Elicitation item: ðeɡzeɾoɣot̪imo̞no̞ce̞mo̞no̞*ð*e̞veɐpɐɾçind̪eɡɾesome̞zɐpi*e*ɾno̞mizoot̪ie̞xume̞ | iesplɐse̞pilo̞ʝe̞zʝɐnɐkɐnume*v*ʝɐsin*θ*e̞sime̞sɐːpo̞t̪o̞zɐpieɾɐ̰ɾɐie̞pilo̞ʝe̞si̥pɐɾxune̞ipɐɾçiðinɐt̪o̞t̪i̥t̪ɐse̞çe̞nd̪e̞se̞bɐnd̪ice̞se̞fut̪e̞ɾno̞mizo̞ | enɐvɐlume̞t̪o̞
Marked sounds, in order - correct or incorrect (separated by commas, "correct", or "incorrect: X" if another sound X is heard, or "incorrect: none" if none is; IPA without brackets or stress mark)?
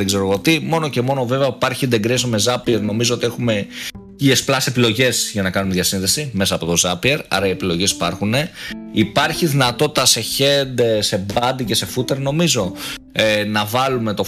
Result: incorrect: v, correct, incorrect: ð, incorrect: ð